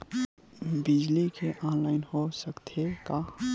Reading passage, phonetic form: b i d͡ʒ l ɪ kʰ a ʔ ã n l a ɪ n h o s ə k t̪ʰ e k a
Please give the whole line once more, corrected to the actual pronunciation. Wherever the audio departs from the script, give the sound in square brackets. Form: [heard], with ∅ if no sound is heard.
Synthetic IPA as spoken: b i d͡ʒ l [i] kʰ [e] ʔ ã n l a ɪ n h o s ə k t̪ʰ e k a